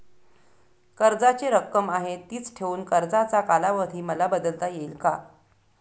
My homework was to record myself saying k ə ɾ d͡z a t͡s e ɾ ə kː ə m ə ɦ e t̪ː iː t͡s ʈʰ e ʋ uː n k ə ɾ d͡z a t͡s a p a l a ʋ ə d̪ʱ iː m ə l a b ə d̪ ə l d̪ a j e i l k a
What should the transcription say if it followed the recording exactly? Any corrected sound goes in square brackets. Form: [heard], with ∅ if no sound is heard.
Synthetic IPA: k ə ɾ d͡z a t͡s e ɾ ə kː ə m [a] ɦ e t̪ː iː t͡s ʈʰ e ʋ uː n k ə ɾ d͡z a t͡s a [k] a l a ʋ ə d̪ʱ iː m ə l a b ə d̪ ə l [t̪] a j e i l k a